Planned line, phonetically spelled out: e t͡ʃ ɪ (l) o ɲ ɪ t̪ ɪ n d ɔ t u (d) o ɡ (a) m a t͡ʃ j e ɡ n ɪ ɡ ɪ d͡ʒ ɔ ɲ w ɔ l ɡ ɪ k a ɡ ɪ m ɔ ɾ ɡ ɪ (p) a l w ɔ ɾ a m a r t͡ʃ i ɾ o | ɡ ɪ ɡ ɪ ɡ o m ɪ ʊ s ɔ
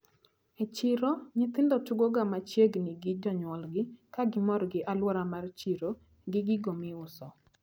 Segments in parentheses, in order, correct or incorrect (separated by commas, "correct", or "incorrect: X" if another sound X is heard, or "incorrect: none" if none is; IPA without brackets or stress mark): incorrect: ɾ, incorrect: ɡ, correct, incorrect: ʔ